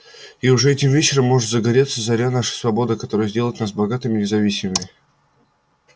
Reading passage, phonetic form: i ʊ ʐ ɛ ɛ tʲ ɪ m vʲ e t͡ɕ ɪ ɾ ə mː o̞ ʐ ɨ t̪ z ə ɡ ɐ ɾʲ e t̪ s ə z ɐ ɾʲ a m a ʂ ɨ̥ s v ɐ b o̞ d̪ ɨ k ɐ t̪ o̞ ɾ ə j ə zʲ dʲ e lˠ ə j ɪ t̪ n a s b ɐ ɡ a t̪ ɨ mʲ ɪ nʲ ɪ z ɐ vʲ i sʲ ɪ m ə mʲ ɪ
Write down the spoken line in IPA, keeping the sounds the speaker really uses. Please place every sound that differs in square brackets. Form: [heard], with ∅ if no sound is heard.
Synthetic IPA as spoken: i ʊ ʐ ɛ ɛ tʲ ɪ m vʲ e t͡ɕ ɪ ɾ ə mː o̞ ʐ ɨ t̪ z ə ɡ ɐ ɾʲ e t̪ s ə z ɐ ɾʲ a [n] a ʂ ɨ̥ s v ɐ b o̞ d̪ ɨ k ɐ t̪ o̞ ɾ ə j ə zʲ dʲ e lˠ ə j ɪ t̪ n a s b ɐ ɡ a t̪ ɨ mʲ ɪ nʲ ɪ z ɐ vʲ i sʲ ɪ m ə mʲ ɪ

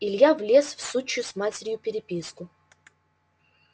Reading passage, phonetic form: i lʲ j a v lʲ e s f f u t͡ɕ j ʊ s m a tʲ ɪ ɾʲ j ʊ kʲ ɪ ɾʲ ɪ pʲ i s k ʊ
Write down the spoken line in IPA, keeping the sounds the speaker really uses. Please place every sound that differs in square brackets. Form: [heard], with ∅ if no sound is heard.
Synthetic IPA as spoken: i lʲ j a v lʲ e s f [s] u t͡ɕ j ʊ s m a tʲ ɪ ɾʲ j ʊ [pʲ] ɪ ɾʲ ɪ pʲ i s k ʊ

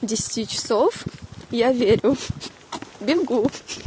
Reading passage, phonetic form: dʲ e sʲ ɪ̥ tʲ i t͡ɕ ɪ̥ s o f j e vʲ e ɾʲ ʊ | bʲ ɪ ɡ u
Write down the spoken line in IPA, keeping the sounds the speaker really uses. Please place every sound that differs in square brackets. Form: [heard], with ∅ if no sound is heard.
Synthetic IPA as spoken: dʲ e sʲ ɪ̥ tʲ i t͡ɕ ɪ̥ s o f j [a] vʲ e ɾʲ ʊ | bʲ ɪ ɡ u

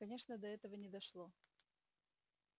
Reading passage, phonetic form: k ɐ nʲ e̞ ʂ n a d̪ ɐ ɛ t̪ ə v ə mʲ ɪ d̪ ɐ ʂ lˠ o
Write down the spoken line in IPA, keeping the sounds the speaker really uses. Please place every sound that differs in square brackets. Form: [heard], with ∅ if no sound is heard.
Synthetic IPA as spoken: k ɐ nʲ e̞ ʂ n [ə] d̪ ɐ ɛ t̪ ə v ə [nʲ] ɪ d̪ ɐ ʂ lˠ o

